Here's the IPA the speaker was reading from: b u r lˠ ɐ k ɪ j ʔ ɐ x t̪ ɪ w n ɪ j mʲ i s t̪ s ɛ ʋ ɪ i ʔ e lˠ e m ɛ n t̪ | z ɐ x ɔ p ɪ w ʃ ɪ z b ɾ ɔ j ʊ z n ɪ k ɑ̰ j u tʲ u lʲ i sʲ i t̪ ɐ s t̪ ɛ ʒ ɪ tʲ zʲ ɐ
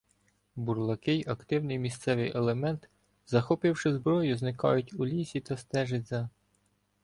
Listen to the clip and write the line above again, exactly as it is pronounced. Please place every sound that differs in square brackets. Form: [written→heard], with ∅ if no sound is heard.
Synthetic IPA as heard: b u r lˠ ɐ k ɪ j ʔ ɐ [x→k] t̪ ɪ w n ɪ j mʲ i s t̪ s ɛ ʋ ɪ [i→j] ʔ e lˠ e m ɛ n t̪ | z ɐ x ɔ p ɪ w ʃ ɪ z b ɾ ɔ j ʊ z n ɪ k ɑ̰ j [u→ʊ] tʲ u lʲ i sʲ i t̪ ɐ s t̪ ɛ ʒ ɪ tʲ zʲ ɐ